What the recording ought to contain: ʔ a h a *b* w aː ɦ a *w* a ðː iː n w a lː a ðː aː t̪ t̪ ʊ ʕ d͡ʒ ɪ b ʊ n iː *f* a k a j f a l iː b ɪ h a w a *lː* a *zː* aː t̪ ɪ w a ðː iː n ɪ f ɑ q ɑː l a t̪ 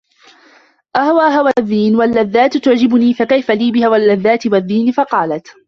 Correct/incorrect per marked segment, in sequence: incorrect, correct, correct, correct, incorrect

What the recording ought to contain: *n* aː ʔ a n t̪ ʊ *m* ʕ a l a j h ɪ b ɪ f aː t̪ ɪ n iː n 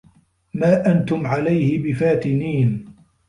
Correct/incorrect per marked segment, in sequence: incorrect, correct

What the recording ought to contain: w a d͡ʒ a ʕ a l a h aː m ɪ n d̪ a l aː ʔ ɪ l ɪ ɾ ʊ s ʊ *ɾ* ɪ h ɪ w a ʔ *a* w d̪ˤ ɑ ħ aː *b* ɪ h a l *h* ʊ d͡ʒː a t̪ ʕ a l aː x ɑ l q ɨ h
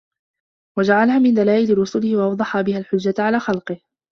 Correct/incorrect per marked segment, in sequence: incorrect, incorrect, correct, incorrect

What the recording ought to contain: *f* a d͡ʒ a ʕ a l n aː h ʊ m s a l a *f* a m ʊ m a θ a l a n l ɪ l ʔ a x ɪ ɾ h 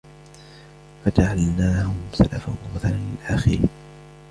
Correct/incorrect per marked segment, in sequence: correct, correct

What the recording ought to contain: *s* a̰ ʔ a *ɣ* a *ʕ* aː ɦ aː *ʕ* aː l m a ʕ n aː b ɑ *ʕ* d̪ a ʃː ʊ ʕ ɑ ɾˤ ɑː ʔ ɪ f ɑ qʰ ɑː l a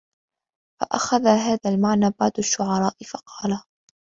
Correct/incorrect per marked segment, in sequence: incorrect, incorrect, incorrect, incorrect, correct

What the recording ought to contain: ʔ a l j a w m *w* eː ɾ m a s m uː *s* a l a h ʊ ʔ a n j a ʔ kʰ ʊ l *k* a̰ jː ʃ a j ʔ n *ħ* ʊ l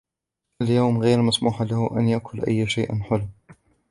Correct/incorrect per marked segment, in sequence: incorrect, incorrect, incorrect, correct

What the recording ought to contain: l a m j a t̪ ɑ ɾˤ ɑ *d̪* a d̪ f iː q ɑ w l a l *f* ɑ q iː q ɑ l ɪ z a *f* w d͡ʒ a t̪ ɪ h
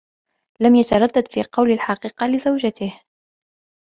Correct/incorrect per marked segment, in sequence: incorrect, incorrect, incorrect

